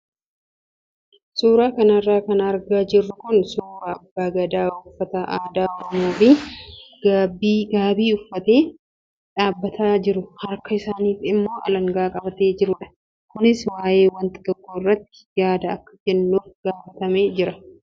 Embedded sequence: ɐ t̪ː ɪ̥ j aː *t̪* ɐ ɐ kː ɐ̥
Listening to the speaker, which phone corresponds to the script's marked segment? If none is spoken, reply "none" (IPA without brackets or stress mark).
d̪